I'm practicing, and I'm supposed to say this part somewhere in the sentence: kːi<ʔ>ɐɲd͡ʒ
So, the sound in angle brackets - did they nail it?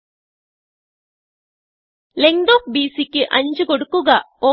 yes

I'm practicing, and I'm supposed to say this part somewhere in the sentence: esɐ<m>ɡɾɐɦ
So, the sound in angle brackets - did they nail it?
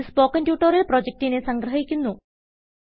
no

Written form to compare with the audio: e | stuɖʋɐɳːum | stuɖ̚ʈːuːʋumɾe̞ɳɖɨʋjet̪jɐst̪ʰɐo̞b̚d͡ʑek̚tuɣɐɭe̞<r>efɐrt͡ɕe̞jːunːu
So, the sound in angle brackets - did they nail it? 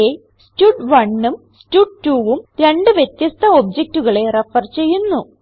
yes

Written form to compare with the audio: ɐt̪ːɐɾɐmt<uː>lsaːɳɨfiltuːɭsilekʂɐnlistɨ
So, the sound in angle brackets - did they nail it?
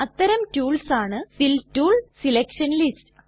yes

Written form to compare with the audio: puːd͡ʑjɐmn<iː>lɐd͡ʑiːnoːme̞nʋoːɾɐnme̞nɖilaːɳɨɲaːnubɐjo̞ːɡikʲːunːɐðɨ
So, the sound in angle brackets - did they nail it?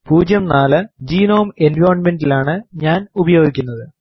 no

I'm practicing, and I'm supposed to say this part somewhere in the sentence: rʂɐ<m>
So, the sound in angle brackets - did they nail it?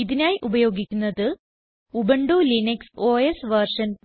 no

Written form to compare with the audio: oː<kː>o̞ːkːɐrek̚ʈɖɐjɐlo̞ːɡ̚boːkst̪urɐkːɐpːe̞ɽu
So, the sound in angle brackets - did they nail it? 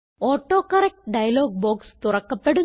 no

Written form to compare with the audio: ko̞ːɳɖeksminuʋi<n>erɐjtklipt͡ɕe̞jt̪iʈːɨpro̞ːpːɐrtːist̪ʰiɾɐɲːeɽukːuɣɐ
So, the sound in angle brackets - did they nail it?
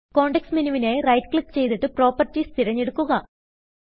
yes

